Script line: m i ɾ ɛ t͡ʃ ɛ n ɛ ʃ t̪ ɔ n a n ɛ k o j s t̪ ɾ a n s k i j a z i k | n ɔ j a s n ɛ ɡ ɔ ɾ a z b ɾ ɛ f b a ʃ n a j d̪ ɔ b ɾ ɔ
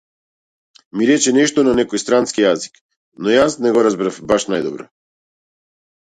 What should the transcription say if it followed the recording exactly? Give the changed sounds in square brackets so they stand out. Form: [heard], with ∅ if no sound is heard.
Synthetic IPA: m i ɾ ɛ t͡ʃ ɛ n ɛ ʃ t̪ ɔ n a n ɛ k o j s t̪ ɾ a n s k i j a z i k | n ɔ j a s n ɛ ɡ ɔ ɾ a z b ɾ [a] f b a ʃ n a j d̪ ɔ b ɾ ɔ